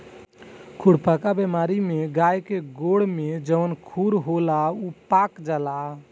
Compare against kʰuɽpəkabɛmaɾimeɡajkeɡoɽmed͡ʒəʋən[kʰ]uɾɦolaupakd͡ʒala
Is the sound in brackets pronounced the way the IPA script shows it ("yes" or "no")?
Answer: yes